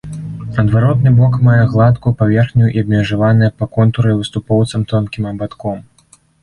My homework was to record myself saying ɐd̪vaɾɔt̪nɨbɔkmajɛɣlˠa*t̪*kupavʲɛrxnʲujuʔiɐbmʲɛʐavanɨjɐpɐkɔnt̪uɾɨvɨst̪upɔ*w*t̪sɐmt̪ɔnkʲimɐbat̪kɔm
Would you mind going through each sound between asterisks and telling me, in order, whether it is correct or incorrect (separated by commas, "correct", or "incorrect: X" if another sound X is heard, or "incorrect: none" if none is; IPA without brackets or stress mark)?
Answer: correct, correct